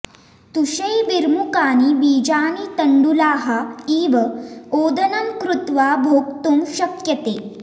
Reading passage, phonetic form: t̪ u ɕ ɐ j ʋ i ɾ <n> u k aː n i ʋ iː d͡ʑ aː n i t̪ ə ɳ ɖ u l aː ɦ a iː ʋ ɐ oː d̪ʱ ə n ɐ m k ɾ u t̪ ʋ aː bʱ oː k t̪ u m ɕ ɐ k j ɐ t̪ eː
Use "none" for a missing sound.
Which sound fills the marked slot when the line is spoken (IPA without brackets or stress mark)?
m